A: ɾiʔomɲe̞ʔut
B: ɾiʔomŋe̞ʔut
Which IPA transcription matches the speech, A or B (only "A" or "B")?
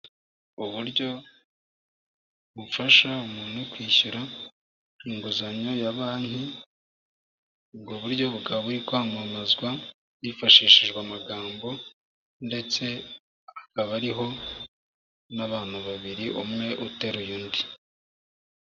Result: B